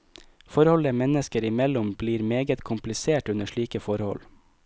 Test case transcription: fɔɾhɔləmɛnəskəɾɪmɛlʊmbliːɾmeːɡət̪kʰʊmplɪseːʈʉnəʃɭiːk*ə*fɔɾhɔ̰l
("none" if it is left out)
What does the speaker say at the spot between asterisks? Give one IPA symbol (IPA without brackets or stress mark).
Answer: ə